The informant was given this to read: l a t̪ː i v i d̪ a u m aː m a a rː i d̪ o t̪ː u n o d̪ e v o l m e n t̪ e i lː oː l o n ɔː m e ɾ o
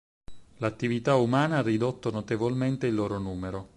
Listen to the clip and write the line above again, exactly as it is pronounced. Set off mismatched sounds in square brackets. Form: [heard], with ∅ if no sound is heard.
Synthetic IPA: l a t̪ː i v i [t̪] a u m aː [n] a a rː i d̪ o t̪ː [o] n o [t̪] e v o l m e n t̪ e i lː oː [ɾ] o n [uː] m e ɾ o